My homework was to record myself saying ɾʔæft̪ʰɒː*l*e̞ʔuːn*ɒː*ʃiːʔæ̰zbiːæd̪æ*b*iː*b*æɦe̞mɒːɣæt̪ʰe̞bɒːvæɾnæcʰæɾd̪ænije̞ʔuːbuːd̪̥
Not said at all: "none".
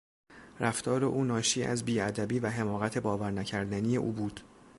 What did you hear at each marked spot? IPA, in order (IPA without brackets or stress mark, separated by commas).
ɾ, ɒː, b, v